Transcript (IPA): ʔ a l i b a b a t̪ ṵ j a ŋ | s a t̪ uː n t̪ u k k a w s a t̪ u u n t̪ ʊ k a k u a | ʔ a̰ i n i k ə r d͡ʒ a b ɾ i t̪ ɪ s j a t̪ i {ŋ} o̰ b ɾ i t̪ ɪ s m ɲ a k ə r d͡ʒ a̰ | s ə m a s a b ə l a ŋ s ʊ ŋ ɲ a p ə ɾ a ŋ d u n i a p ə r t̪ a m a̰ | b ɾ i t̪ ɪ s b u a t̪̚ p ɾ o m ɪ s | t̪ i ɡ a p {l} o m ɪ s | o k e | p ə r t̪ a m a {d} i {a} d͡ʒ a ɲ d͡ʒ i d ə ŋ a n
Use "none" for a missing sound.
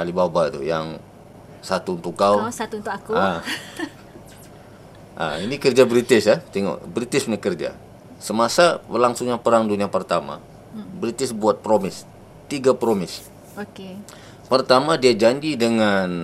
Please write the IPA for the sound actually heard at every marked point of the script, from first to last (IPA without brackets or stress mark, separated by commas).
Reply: ŋ, ɾ, d, a